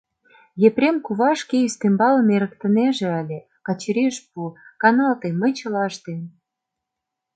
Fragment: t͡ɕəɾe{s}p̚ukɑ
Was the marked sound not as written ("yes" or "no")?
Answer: yes